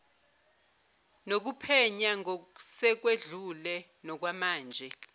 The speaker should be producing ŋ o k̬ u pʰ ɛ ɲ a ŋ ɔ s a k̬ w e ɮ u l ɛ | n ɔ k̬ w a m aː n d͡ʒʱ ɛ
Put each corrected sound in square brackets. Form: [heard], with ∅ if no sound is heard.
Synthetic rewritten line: [n] o k̬ u pʰ ɛ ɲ a ŋ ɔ s [ɛ] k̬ w e ɮ u l ɛ | n ɔ k̬ w a m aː n d͡ʒʱ ɛ